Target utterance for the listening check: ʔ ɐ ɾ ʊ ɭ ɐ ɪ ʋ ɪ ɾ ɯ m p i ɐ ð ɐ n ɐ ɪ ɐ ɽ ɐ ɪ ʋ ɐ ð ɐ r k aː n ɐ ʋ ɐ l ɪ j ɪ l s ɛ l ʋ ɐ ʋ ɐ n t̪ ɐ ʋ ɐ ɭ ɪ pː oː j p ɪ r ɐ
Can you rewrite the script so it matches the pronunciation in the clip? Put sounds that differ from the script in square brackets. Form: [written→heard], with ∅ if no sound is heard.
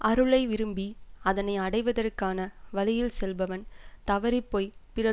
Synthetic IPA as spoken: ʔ ɐ ɾ [ʊ→ɯ] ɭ ɐ ɪ ʋ ɪ ɾ ɯ m [p→b] i ɐ ð ɐ n ɐ ɪ ɐ ɽ ɐ ɪ ʋ ɐ ð ɐ r k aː n ɐ ʋ ɐ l ɪ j ɪ l s ɛ l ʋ ɐ ʋ ɐ n t̪ ɐ ʋ ɐ [ɭ→ɾ] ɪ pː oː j p ɪ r ɐ

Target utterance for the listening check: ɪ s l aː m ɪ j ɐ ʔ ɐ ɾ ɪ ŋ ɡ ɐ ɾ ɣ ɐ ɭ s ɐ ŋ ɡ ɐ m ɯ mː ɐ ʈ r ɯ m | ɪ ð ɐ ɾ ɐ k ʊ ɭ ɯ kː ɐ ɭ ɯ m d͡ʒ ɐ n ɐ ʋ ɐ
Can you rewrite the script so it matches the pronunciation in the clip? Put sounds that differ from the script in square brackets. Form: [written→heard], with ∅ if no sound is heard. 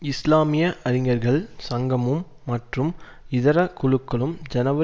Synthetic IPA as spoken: ɪ s l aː m ɪ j ɐ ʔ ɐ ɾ ɪ ŋ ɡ ɐ ɾ ɣ ɐ ɭ s ɐ ŋ ɡ ɐ m ɯ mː ɐ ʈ r ɯ m | ɪ ð ɐ ɾ ɐ k ʊ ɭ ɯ kː ɐ ɭ ɯ m d͡ʒ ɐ n ɐ ʋ ɐ

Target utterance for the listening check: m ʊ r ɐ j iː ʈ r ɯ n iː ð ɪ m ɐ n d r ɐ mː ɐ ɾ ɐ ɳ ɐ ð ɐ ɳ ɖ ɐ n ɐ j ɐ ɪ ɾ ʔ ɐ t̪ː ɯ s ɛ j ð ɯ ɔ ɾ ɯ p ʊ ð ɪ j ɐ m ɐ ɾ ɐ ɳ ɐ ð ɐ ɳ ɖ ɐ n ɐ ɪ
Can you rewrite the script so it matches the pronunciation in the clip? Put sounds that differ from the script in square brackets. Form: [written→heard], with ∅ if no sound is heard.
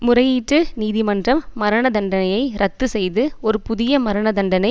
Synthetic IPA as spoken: m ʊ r ɐ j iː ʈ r ɯ n iː ð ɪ m ɐ n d r ɐ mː ɐ ɾ ɐ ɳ ɐ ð ɐ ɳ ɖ ɐ n ɐ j ɐ ɪ ɾ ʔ ɐ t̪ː ɯ s ɛ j ð ɯ ɔ ɾ ɯ p ʊ ð ɪ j ɐ m ɐ ɾ ɐ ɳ ɐ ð ɐ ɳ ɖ ɐ n ɐ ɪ

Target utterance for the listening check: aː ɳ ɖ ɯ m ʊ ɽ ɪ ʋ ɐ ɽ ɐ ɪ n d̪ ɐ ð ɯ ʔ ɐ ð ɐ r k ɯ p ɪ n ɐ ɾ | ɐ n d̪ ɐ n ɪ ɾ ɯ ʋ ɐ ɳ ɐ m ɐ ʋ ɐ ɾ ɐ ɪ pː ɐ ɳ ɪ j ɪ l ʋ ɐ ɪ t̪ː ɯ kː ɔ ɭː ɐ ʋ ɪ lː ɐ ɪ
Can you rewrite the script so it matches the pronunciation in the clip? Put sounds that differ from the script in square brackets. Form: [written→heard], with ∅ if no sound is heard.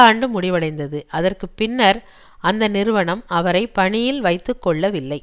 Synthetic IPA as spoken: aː ɳ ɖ ɯ m ʊ ɽ ɪ ʋ ɐ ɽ ɐ ɪ n d̪ ɐ ð ɯ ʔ ɐ ð ɐ r k ɯ p ɪ [n→nː] ɐ ɾ | ɐ n d̪ ɐ n ɪ ɾ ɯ ʋ ɐ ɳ ɐ m ɐ ʋ ɐ ɾ ɐ ɪ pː ɐ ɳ ɪ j ɪ l ʋ ɐ ɪ t̪ː ɯ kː ɔ ɭː ɐ ʋ ɪ lː ɐ ɪ

